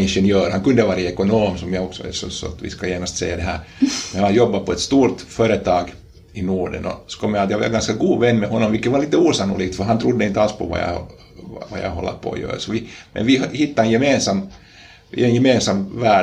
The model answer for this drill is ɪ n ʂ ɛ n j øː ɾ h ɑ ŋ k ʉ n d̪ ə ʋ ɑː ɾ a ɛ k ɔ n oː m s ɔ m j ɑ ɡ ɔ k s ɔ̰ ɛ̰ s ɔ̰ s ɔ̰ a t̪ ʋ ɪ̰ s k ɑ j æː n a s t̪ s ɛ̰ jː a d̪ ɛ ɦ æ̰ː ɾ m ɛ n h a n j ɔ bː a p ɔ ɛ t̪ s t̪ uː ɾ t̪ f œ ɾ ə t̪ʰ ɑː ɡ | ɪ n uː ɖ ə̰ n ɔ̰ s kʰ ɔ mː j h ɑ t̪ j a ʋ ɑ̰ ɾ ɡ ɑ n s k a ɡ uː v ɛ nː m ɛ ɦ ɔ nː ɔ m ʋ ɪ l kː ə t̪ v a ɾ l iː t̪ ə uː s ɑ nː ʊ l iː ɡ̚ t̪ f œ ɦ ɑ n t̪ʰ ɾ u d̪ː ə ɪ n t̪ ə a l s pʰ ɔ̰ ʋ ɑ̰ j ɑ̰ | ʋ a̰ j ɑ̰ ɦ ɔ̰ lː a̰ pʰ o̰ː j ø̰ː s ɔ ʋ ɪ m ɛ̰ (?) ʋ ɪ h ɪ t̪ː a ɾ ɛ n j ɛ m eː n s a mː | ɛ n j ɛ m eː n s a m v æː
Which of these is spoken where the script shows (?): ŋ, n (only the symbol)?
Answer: n